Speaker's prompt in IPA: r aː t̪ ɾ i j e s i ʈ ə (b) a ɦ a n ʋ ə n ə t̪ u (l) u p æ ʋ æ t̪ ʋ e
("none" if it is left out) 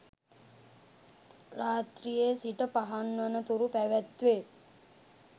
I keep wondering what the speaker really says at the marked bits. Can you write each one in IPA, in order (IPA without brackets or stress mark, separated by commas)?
p, ɾ